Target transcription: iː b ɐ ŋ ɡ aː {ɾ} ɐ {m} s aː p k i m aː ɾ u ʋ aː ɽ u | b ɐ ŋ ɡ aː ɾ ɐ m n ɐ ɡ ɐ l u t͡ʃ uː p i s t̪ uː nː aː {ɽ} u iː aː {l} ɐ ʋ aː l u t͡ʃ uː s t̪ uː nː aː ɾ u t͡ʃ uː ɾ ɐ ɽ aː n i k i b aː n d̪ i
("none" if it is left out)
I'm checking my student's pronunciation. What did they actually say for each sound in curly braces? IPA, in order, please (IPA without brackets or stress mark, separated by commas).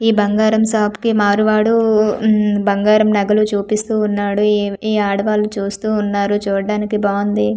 ɾ, m, ɽ, ɽ